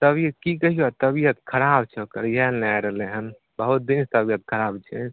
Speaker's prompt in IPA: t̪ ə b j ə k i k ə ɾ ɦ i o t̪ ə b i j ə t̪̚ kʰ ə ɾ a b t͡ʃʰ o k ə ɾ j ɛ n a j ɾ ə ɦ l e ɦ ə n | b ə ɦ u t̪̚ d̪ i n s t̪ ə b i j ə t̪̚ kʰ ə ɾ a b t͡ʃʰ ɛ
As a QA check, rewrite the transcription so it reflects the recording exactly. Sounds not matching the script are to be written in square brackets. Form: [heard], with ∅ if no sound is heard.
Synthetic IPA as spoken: t̪ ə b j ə k i k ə [∅] ɦ i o t̪ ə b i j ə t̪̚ kʰ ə ɾ a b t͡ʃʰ o k ə ɾ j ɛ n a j ɾ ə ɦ l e ɦ ə n | b ə ɦ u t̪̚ d̪ i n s t̪ ə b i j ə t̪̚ kʰ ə ɾ a b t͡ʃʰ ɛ